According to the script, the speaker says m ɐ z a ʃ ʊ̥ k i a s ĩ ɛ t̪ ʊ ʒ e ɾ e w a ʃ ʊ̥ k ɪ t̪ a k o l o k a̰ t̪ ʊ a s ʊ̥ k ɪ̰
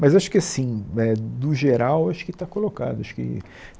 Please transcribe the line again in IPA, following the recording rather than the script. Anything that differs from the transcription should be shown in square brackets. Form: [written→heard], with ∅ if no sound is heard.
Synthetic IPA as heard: m ɐ z a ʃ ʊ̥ k [i→ɪ] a s ĩ ɛ [t̪→d̪] ʊ ʒ e ɾ [e→a] w a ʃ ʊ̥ k ɪ t̪ a k o l o k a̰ [t̪→d̪] ʊ a [s→ʃ] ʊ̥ k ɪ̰